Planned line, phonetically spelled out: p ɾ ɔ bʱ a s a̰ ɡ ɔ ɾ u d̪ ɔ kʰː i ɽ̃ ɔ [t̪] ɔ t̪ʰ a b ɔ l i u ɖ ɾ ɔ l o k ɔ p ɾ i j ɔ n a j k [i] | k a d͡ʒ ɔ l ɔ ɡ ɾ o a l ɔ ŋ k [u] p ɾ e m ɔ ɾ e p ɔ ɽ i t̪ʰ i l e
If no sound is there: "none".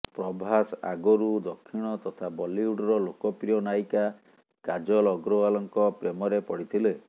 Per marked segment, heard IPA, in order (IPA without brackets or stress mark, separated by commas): t̪, a, ɔ